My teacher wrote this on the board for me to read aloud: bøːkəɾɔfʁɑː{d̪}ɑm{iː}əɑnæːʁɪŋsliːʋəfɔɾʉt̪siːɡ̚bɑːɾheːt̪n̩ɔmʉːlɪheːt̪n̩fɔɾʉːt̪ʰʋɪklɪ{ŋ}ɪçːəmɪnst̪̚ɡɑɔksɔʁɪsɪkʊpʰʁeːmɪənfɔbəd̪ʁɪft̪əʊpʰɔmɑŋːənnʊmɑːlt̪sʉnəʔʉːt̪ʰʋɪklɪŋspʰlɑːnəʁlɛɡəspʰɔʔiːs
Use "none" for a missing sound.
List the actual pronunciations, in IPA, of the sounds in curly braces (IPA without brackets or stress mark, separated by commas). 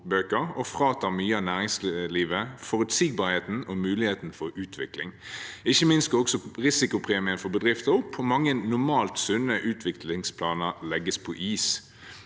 t̪, yː, ŋ